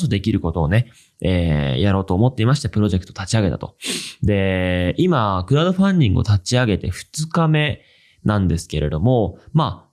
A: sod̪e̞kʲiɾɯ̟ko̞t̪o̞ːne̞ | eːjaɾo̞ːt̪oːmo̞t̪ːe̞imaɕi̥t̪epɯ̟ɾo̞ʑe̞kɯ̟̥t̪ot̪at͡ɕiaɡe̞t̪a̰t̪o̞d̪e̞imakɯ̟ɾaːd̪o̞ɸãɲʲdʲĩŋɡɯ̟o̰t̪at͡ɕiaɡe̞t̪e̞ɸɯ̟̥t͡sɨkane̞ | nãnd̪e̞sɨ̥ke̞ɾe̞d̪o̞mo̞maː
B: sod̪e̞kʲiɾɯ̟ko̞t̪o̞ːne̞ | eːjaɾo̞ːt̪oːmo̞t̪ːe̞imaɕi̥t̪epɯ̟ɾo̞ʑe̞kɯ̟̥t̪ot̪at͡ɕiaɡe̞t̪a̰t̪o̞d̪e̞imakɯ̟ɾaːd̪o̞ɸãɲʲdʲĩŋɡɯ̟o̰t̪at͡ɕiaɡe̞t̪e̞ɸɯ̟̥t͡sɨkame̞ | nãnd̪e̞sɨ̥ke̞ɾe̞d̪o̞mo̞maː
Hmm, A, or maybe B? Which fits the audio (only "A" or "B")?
B